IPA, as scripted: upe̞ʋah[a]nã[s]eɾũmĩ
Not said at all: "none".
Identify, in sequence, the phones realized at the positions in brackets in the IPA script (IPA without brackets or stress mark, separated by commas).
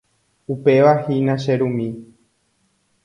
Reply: i, ʃ